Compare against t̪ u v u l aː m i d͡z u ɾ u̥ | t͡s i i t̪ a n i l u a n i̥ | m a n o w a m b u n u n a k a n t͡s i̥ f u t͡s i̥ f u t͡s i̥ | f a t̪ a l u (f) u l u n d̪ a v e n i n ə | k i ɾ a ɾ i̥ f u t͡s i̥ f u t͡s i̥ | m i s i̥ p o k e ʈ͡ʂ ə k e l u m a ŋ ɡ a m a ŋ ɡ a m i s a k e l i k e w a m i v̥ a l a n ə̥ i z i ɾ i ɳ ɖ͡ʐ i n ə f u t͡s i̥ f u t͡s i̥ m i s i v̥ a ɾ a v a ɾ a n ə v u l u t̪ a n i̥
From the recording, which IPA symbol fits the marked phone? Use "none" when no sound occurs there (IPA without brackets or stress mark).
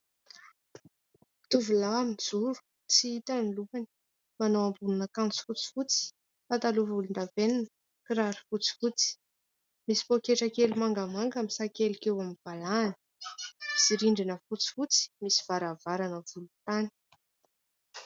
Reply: v